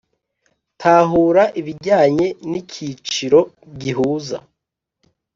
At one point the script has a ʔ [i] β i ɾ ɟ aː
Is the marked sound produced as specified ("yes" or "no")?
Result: yes